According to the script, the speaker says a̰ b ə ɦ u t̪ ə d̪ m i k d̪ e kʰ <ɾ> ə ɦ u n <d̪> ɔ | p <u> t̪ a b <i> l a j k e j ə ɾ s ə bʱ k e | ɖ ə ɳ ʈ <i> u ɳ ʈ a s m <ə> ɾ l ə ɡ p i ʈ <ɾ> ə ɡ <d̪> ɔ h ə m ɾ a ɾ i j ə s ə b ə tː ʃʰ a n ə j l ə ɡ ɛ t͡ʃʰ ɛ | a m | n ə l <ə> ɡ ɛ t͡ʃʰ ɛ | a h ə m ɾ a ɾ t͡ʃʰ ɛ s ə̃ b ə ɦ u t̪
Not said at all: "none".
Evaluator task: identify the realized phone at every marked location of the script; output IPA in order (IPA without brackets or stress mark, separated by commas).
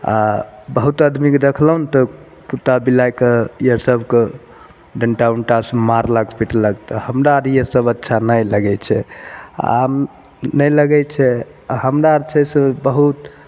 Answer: l, t̪, u, i, a, a, l, t̪, ə